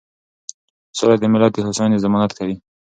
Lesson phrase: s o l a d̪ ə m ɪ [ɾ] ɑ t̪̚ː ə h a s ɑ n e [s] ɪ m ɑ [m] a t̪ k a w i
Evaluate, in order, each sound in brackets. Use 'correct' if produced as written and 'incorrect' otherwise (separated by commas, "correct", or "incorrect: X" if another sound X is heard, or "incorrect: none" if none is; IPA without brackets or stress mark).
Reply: incorrect: l, incorrect: z, incorrect: n